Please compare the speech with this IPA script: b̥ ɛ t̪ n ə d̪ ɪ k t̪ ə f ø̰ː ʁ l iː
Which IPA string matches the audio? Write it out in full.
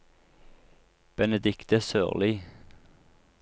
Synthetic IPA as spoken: b̥ ɛ n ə d̪ ɪ k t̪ ə s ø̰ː ʁ l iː